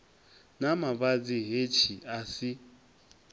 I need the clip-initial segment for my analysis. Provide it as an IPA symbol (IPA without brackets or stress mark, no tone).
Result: n